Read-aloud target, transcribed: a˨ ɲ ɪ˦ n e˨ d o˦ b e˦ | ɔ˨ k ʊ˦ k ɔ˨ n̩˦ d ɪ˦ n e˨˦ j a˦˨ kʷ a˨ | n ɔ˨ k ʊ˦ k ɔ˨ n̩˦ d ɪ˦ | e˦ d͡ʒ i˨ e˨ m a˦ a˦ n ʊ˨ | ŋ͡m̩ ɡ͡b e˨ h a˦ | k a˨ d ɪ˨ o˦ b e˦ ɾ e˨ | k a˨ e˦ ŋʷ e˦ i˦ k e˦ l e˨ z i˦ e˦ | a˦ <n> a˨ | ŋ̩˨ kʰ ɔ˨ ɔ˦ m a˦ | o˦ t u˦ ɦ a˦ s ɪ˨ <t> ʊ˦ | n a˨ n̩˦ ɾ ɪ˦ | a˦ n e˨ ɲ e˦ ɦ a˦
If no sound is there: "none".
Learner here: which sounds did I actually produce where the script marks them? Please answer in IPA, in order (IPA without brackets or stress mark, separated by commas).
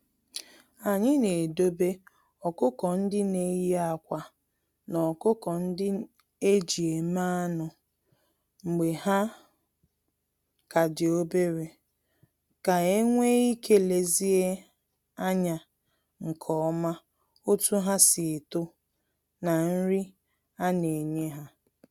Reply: ɲ, t